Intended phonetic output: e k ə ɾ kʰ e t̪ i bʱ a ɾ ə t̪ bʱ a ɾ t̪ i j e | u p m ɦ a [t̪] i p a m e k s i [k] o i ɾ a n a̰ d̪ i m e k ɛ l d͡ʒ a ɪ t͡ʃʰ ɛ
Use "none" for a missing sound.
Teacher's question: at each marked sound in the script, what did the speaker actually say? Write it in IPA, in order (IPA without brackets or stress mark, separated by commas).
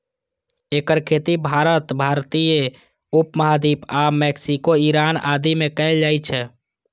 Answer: d̪, k